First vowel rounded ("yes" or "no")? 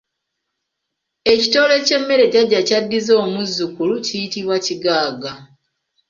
no